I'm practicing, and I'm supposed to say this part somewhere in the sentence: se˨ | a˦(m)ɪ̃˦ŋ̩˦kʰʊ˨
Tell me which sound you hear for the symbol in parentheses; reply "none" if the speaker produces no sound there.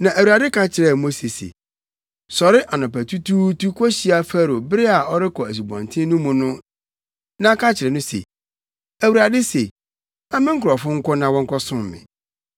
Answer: m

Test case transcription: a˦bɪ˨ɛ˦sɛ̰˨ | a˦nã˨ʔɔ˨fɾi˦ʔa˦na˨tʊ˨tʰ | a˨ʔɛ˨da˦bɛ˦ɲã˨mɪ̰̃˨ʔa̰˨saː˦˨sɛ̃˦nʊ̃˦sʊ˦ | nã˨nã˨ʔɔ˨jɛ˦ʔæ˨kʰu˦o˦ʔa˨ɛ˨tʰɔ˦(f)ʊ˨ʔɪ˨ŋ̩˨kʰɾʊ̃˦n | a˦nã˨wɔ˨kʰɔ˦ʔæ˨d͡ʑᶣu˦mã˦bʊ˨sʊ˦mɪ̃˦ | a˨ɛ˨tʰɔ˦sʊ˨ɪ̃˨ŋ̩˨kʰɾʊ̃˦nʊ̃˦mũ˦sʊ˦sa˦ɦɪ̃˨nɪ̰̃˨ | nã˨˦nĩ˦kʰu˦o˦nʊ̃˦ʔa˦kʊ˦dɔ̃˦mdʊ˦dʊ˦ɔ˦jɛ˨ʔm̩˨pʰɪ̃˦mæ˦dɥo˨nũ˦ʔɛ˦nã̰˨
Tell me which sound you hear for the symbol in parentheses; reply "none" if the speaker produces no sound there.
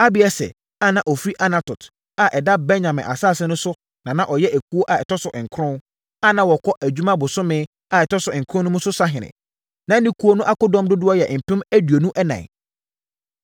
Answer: s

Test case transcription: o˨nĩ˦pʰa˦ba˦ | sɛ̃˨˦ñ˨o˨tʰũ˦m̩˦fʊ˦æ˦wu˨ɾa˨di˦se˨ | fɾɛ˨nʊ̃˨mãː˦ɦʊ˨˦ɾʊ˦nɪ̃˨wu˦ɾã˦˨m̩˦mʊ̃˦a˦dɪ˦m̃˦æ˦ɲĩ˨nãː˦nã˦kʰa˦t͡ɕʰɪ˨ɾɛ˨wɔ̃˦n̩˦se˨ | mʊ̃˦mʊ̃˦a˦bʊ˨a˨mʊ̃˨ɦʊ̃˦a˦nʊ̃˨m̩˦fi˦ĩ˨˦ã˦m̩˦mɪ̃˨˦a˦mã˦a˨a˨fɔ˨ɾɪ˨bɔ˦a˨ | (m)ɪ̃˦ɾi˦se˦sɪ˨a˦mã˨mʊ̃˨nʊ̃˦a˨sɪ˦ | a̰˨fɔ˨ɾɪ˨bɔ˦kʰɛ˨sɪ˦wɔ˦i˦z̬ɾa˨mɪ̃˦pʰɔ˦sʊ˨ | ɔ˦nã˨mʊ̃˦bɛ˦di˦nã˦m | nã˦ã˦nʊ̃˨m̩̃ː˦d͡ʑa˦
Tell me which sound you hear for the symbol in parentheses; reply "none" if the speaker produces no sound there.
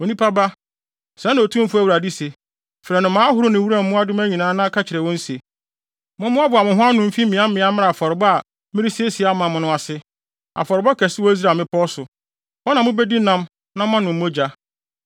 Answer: m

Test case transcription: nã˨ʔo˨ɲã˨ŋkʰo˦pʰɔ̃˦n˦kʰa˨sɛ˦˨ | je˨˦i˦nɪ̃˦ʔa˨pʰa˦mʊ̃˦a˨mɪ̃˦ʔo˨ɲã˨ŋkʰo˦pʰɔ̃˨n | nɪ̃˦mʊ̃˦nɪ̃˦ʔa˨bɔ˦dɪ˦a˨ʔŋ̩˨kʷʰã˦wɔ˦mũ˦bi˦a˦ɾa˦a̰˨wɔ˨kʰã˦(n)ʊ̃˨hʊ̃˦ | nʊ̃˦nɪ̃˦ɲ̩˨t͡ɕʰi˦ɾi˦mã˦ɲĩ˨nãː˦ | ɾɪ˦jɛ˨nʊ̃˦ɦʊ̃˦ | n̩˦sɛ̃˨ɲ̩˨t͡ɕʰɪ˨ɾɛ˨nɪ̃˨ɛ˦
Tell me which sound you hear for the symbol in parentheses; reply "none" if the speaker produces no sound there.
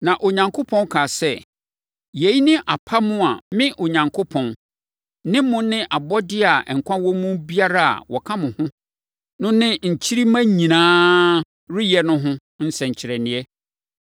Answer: m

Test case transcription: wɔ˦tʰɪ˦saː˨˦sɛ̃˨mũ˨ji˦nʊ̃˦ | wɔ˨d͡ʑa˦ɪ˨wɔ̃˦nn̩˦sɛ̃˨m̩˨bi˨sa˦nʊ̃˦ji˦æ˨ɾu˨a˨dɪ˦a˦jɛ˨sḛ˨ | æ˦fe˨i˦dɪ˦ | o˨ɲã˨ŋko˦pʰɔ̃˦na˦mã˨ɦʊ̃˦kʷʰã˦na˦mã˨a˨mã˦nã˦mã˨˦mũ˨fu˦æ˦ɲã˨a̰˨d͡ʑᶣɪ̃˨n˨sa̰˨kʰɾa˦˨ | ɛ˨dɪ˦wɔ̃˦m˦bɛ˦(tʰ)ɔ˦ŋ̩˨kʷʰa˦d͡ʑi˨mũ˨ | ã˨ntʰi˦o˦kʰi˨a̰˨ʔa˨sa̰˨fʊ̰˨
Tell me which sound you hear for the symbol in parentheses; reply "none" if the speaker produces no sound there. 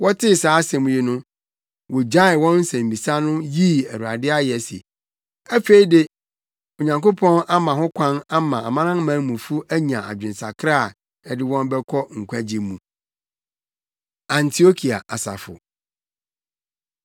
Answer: kʰ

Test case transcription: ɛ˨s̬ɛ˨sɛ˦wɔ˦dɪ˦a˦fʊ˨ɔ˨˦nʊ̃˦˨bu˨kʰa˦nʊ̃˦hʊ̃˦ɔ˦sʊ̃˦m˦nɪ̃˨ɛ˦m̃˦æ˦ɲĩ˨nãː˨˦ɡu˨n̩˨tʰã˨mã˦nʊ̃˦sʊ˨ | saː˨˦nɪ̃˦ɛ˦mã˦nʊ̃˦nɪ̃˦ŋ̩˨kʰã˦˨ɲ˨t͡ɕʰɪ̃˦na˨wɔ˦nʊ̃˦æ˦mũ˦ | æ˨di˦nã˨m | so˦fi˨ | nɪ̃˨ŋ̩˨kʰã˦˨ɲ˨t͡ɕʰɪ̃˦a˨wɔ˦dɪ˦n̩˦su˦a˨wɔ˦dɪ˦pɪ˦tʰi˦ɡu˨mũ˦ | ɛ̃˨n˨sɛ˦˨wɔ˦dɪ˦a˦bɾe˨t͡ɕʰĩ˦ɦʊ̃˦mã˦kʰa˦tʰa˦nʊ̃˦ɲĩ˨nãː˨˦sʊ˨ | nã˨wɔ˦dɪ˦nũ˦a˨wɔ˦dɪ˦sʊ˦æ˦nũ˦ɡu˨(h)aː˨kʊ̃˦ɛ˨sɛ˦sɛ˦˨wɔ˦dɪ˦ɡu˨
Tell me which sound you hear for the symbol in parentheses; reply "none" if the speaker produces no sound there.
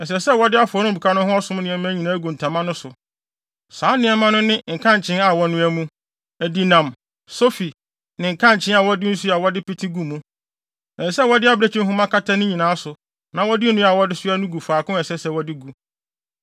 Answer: f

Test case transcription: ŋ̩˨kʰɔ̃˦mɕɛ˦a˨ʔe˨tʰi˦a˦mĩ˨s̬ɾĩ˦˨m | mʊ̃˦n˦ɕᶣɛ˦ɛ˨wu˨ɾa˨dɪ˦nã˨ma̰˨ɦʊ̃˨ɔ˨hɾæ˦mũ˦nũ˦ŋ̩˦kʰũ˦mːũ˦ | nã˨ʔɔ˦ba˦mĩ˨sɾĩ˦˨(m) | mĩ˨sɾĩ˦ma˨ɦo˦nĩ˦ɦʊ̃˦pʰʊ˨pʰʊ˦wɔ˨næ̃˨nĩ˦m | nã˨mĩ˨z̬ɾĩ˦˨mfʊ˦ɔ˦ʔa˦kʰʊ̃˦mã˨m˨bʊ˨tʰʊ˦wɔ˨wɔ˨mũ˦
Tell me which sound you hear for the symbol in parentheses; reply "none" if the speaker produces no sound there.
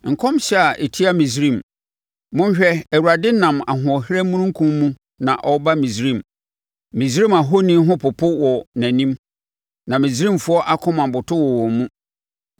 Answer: m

